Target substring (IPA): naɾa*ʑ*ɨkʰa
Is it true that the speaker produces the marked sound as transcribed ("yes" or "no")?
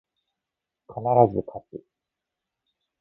no